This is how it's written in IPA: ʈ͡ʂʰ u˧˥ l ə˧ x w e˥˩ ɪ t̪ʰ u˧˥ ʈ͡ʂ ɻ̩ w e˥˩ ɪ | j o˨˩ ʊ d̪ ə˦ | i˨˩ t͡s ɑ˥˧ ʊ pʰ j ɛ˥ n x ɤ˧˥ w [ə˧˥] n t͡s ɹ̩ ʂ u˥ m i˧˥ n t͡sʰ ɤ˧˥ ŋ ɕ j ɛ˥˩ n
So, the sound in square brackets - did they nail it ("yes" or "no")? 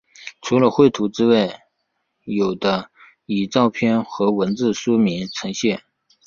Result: yes